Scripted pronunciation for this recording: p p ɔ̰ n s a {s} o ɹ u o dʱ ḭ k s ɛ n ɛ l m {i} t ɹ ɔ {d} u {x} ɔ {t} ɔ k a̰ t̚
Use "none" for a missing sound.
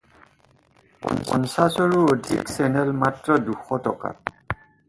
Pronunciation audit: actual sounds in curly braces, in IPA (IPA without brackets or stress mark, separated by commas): s, a, d, x, t